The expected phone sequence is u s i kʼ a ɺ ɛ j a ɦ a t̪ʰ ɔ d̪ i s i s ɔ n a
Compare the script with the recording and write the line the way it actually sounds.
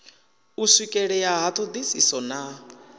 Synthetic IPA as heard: u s i kʼ ɛ ɺ ɛ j a ɦ a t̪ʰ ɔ d̪ i s i s ɔ n a